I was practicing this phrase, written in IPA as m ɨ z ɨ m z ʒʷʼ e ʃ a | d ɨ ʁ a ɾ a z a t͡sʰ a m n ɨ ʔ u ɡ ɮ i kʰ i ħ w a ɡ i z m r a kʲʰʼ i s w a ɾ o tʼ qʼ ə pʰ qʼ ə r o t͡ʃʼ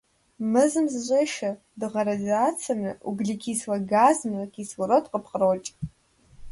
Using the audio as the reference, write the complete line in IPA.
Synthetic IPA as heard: m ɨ z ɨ m z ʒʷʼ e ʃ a | d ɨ ʁ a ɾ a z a t͡sʰ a m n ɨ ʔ u ɡ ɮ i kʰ i s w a ɡ a z m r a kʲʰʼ i s w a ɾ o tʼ qʼ ə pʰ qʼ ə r o t͡ʃʼ